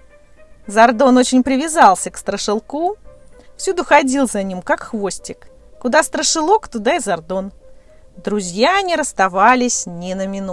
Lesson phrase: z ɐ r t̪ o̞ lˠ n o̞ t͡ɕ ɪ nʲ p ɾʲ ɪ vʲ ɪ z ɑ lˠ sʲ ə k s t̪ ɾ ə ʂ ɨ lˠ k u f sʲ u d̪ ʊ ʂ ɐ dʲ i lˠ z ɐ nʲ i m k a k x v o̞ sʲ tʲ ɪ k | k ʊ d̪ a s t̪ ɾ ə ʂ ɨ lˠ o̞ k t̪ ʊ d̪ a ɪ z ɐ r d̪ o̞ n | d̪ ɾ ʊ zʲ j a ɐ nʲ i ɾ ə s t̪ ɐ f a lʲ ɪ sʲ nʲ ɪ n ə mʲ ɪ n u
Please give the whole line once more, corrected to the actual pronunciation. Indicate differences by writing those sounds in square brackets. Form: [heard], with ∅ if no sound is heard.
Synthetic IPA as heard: z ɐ r [d̪] o̞ [∅] n o̞ t͡ɕ ɪ nʲ p ɾʲ ɪ vʲ ɪ z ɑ lˠ sʲ ə k s t̪ ɾ ə ʂ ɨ lˠ k u f sʲ u d̪ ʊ [x] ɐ dʲ i lˠ z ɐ nʲ i m k a k x v o̞ sʲ tʲ ɪ k | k ʊ d̪ a s t̪ ɾ ə ʂ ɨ lˠ o̞ k t̪ ʊ d̪ a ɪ z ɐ r d̪ o̞ n | d̪ ɾ ʊ zʲ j a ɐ nʲ i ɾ ə s t̪ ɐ [v] a lʲ ɪ sʲ nʲ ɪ n ə mʲ ɪ n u